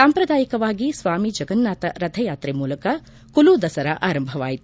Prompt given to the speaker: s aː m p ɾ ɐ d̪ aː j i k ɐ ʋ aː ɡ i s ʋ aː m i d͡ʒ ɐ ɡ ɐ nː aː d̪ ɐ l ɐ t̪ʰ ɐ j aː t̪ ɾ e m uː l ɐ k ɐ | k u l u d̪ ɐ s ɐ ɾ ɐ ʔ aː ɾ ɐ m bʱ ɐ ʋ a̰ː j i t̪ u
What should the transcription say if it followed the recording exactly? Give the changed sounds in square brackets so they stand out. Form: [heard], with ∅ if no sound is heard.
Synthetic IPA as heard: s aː m p ɾ ɐ d̪ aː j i k ɐ ʋ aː ɡ i s ʋ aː m i d͡ʒ ɐ ɡ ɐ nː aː [t̪] ɐ [ɾ] ɐ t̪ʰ ɐ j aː t̪ ɾ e m uː l ɐ k ɐ | k u l u d̪ ɐ s ɐ ɾ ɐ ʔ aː ɾ ɐ m bʱ ɐ ʋ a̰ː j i t̪ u